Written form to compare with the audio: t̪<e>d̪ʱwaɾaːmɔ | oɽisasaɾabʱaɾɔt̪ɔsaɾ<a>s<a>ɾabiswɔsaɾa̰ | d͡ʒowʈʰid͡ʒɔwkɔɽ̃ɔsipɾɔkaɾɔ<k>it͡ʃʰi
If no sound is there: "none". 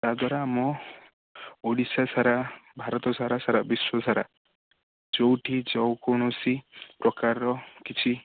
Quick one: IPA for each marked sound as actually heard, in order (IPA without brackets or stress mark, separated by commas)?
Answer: a, a, a, k